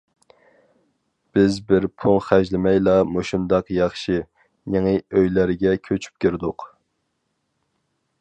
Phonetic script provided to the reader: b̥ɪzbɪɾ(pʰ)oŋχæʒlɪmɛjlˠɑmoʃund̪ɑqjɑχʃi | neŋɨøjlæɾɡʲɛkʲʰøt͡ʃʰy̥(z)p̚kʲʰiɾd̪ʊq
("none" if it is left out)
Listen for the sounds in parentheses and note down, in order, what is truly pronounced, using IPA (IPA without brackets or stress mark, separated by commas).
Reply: pʰ, none